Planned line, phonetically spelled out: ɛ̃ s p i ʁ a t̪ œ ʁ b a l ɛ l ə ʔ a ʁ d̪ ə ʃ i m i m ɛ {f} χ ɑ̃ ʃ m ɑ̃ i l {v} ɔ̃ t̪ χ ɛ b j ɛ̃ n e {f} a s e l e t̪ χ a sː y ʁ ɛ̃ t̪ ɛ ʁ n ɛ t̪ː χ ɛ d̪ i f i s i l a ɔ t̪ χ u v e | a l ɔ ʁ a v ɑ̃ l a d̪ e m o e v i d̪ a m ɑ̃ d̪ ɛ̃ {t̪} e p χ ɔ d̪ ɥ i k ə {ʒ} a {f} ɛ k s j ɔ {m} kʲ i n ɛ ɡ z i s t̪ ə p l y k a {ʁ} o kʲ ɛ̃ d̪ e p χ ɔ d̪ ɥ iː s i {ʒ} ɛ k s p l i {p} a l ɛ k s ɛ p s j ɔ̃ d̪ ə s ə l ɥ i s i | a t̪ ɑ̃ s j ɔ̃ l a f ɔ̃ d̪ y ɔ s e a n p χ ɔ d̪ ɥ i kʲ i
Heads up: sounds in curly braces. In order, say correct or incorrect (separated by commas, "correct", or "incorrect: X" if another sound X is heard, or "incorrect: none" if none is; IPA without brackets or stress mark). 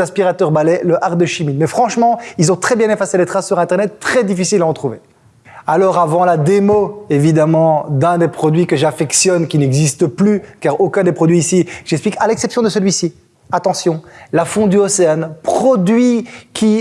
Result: correct, incorrect: z, correct, incorrect: d̪, correct, correct, incorrect: n, correct, correct, incorrect: k